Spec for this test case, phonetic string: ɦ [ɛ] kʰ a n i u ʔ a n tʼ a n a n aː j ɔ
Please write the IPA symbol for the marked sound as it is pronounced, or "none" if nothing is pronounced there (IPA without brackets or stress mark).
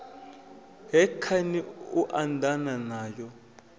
ɛ